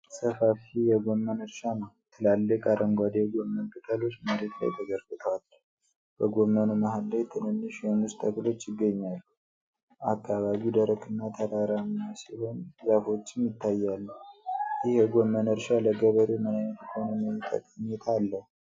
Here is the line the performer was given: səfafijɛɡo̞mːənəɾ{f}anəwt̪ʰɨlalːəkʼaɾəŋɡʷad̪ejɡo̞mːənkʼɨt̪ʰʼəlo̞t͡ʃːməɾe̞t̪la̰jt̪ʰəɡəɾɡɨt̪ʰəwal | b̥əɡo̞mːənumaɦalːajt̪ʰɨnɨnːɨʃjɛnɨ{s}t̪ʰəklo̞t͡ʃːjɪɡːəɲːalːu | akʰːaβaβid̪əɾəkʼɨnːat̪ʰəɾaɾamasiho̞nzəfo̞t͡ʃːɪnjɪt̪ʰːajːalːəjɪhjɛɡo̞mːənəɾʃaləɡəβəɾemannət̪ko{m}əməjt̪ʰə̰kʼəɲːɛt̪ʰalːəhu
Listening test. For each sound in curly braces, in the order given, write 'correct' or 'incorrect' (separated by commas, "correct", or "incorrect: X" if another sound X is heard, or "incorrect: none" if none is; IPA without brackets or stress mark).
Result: incorrect: ʃ, correct, incorrect: n